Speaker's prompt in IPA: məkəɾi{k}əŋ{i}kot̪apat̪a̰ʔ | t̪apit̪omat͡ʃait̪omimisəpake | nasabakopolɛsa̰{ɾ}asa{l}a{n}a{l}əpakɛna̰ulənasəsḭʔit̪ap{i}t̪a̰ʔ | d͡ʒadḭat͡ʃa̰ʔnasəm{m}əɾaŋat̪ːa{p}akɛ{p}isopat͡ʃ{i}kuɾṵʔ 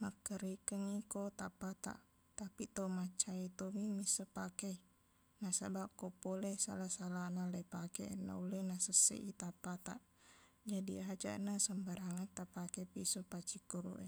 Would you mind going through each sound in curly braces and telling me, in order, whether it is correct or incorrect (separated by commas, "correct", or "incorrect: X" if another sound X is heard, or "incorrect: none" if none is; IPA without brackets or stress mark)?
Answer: correct, correct, incorrect: l, correct, correct, correct, incorrect: a, incorrect: b, correct, correct, correct